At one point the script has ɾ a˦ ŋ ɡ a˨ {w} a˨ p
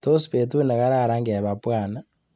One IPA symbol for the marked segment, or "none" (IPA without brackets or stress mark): β